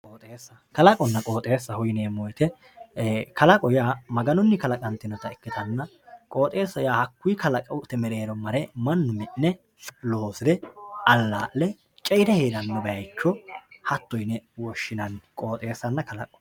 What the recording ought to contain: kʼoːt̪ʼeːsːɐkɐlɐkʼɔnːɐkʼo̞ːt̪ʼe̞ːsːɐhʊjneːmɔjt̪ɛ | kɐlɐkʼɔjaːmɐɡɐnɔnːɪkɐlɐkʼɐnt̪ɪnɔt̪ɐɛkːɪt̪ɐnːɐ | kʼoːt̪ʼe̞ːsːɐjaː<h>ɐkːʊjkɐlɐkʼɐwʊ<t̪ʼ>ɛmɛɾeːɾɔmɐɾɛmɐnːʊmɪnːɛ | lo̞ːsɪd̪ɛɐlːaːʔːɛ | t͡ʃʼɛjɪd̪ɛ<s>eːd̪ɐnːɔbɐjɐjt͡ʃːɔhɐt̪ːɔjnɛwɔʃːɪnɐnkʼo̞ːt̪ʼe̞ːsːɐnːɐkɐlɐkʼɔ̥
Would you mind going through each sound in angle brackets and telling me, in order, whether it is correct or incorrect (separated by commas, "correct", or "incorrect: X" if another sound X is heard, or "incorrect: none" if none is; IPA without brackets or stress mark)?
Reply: correct, incorrect: t̪, incorrect: h